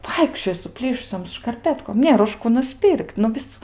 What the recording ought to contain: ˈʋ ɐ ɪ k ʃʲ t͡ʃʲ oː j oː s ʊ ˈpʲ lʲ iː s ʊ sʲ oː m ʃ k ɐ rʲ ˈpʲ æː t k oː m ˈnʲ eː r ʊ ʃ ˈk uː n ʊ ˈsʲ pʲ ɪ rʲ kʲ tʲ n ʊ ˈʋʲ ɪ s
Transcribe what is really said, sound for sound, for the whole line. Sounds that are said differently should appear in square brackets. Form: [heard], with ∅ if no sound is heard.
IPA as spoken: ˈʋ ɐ ɪ k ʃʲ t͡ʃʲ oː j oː s ʊ ˈpʲ lʲ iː [ʃ] ʊ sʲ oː m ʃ k ɐ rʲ ˈpʲ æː t k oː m ˈnʲ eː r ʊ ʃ ˈk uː n ʊ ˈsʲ pʲ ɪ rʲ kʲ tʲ n ʊ ˈʋʲ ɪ s

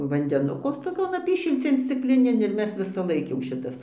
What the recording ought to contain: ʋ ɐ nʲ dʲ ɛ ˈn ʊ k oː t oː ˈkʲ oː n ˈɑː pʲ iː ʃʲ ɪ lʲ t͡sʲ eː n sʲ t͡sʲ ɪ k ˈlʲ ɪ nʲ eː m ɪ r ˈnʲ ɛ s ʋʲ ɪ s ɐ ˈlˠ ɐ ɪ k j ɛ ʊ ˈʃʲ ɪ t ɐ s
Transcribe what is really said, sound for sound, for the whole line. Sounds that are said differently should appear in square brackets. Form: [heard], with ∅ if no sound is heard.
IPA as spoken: ʋ ɐ nʲ dʲ ɛ ˈn ʊ k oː t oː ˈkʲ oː n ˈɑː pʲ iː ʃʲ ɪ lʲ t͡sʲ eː n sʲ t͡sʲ ɪ k ˈlʲ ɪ nʲ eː [n] ɪ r [ˈmʲ] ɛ s ʋʲ ɪ s ɐ ˈlˠ ɐ ɪ k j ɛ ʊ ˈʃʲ ɪ t ɐ s

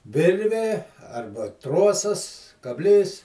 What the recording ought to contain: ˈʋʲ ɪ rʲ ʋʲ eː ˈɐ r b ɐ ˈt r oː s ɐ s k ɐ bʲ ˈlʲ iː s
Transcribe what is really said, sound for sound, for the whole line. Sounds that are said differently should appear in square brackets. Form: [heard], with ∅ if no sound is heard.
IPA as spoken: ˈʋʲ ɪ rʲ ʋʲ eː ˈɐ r b ɐ ˈt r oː s ɐ s k ɐ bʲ ˈlʲ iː s

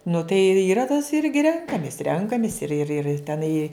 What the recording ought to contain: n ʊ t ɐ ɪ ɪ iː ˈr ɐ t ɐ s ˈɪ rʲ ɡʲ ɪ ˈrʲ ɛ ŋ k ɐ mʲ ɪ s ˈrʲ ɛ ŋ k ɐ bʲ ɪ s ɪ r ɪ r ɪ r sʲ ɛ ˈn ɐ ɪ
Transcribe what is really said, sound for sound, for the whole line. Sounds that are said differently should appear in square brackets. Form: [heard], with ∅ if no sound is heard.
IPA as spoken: n ʊ t ɐ ɪ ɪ iː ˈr ɐ t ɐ s ˈɪ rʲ ɡʲ ɪ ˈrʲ ɛ ŋ k ɐ mʲ ɪ s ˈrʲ ɛ ŋ k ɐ [mʲ] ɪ s ɪ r ɪ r ɪ r [tʲ] ɛ ˈn ɐ ɪ

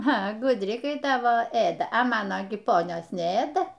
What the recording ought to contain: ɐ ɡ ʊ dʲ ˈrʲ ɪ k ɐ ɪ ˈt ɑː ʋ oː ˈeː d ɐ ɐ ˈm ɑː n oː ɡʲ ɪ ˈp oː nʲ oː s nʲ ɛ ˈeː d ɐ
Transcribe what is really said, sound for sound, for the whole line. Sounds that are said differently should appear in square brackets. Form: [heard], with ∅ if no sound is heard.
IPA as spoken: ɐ ɡ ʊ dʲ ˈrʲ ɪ k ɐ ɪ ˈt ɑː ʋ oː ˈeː d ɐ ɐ ˈm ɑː n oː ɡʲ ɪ ˈp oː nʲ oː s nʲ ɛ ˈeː d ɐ

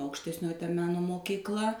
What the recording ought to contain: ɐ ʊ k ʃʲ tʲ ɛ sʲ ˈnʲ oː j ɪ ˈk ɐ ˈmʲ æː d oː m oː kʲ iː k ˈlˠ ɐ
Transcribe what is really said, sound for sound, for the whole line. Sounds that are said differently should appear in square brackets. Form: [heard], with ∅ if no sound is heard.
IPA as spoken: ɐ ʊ k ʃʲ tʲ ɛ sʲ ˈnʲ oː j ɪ [ˈt] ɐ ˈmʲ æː [n] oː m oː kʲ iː k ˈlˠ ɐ

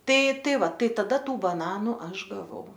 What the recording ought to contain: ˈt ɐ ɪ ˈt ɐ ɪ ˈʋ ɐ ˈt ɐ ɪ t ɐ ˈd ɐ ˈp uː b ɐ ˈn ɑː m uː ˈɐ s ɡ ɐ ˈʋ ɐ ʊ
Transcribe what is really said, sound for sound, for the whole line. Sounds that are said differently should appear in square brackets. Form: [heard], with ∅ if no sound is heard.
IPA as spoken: ˈt ɐ ɪ ˈt ɐ ɪ ˈʋ ɐ ˈt ɐ ɪ t ɐ ˈd ɐ [ˈt] uː b ɐ ˈn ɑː [n] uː ˈɐ [ʃ] ɡ ɐ ˈʋ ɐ ʊ

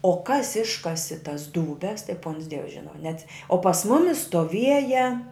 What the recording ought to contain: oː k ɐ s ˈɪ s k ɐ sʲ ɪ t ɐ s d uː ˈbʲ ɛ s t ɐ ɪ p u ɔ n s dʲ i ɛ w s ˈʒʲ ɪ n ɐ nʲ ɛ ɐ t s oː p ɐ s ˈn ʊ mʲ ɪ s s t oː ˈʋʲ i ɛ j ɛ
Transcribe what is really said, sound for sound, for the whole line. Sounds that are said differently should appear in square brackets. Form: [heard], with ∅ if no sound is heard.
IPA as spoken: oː k ɐ s ˈɪ [ʃ] k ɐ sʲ ɪ t ɐ s d uː ˈbʲ ɛ s t ɐ ɪ p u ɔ n s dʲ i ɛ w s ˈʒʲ ɪ n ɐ nʲ ɛ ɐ t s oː p ɐ s [ˈm] ʊ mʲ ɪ s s t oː ˈʋʲ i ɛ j ɛ

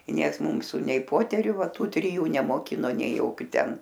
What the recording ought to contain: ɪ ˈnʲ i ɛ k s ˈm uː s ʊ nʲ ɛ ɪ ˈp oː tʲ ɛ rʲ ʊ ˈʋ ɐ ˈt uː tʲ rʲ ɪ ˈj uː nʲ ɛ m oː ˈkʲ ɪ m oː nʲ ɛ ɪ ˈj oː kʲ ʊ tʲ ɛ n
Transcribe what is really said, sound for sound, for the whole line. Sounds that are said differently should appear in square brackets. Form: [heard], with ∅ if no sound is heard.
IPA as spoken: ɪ ˈnʲ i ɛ k s ˈm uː s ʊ nʲ ɛ ɪ ˈp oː tʲ ɛ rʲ ʊ ˈʋ ɐ ˈt uː tʲ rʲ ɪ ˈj uː nʲ ɛ m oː ˈkʲ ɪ [n] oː nʲ ɛ ɪ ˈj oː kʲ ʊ tʲ ɛ n

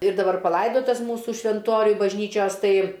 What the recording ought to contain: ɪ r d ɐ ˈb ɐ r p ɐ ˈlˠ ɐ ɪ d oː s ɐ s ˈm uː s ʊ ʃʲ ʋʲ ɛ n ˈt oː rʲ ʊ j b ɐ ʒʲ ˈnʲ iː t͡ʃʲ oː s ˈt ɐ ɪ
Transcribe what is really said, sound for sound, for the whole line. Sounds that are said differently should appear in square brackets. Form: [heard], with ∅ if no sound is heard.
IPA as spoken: ɪ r d ɐ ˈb ɐ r p ɐ ˈlˠ ɐ ɪ d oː [t] ɐ s ˈm uː s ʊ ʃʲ ʋʲ ɛ n ˈt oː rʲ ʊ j b ɐ ʒʲ ˈnʲ iː t͡ʃʲ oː s ˈt ɐ ɪ

